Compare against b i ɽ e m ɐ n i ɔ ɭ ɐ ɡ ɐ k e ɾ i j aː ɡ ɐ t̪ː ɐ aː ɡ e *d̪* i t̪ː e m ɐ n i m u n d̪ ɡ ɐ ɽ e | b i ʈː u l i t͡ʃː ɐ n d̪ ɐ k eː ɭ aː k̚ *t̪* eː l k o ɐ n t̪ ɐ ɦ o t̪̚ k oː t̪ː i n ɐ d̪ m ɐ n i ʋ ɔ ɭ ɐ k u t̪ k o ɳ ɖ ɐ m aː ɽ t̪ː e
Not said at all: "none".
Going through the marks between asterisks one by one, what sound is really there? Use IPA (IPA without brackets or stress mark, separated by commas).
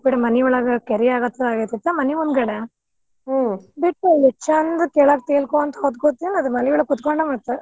t̪, t̪